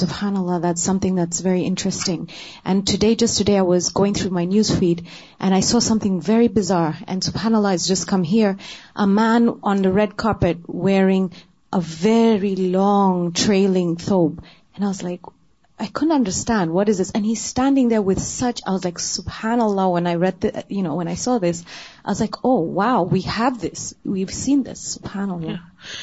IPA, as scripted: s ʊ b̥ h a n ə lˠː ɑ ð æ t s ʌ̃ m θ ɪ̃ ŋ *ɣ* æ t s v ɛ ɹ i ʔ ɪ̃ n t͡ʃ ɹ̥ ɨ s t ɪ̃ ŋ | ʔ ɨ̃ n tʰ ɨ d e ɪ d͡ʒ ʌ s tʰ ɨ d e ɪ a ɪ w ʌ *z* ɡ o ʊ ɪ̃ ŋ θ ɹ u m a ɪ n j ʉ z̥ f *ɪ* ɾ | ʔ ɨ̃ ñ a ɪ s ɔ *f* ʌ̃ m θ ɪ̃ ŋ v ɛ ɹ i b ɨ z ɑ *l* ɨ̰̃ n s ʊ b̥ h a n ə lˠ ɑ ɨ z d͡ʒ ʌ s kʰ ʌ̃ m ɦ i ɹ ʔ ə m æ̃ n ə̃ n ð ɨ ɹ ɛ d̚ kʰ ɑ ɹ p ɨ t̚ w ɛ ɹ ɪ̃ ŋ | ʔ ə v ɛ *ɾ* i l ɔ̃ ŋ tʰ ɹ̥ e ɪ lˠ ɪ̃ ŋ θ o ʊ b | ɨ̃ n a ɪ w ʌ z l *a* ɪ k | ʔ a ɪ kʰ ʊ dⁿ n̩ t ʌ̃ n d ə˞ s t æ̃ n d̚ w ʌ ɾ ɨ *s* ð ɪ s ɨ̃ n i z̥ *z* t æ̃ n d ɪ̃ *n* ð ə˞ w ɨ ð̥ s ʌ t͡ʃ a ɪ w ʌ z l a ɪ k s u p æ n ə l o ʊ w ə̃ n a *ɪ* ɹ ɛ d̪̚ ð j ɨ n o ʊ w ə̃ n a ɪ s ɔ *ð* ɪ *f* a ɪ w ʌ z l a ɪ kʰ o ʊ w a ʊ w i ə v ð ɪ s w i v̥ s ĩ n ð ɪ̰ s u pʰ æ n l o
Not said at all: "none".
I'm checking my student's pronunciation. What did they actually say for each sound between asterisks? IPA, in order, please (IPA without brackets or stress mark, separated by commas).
ð, z, i, s, ɹ, ɹ, a, z, s, ŋ, ɪ, ð, s